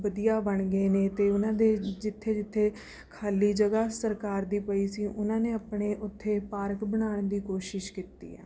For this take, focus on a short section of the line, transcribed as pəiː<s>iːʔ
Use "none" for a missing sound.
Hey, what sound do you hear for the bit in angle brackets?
s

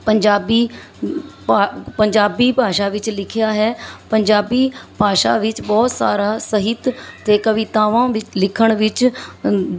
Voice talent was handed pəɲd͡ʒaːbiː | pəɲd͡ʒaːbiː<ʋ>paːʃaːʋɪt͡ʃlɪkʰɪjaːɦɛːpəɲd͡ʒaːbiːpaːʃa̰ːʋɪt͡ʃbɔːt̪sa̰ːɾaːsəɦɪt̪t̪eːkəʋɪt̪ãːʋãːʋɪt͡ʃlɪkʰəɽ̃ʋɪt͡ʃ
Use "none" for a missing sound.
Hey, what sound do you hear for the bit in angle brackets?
none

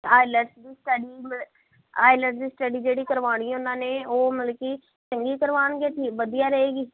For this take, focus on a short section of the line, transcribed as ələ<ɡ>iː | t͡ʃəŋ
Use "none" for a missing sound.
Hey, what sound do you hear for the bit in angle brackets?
k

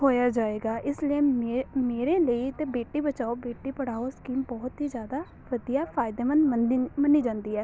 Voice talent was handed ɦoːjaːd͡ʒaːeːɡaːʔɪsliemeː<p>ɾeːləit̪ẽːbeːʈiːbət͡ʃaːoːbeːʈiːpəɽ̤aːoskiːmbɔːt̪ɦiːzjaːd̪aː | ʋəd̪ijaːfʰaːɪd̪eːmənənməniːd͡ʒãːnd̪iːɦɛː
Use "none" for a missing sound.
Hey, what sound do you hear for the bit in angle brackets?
none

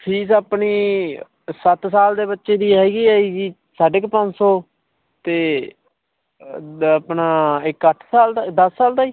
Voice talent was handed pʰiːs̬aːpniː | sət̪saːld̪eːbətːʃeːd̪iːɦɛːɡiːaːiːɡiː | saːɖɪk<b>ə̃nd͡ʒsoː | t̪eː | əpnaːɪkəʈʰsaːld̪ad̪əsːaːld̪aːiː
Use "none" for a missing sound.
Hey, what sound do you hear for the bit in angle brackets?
p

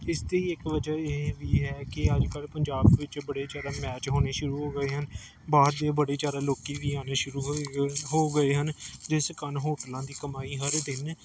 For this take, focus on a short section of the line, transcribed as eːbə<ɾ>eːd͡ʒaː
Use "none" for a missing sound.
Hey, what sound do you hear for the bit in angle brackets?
ɽ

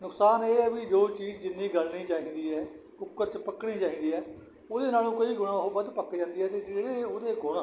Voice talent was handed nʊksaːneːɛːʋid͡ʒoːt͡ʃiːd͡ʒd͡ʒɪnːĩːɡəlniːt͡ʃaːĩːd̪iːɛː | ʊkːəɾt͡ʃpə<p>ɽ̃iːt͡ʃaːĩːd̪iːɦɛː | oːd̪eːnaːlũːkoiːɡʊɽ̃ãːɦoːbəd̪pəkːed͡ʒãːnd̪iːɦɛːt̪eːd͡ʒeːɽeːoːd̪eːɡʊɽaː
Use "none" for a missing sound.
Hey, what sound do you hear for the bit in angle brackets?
k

